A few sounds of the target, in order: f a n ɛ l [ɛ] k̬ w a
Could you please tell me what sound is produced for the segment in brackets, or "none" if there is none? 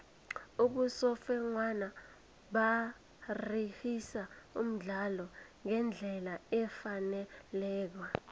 ɛː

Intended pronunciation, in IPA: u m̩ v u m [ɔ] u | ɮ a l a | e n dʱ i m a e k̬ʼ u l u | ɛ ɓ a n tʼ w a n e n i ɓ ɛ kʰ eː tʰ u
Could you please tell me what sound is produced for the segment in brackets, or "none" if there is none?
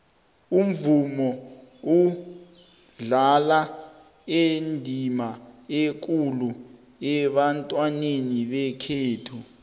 ɔ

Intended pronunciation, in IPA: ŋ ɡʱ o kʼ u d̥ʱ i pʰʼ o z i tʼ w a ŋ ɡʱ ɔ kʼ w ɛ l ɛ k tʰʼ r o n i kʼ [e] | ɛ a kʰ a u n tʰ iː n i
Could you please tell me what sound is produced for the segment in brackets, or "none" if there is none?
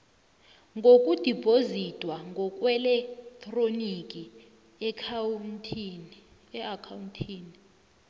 i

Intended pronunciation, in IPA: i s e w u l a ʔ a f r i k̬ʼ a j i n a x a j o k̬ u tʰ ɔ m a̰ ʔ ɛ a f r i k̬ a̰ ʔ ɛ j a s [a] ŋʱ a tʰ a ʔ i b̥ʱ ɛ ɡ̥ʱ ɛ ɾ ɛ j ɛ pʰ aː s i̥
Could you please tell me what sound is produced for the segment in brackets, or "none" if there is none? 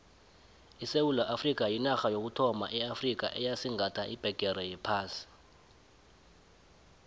i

